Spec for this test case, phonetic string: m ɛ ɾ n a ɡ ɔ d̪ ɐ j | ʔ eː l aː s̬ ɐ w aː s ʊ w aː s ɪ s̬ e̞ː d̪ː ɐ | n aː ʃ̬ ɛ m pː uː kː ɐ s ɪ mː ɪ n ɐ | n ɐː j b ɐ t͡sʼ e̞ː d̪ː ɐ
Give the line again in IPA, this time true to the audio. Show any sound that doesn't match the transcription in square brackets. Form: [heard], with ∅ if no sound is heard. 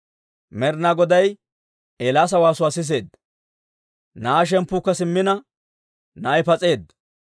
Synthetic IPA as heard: m ɛ ɾ n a ɡ ɔ d̪ ɐ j | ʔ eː l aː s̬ ɐ w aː s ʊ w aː s ɪ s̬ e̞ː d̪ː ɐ | n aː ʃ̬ ɛ m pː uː kː ɐ s ɪ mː ɪ n ɐ | n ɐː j [p] ɐ t͡sʼ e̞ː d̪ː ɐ